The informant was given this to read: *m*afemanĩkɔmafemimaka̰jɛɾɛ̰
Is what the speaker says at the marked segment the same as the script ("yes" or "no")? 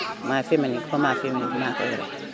yes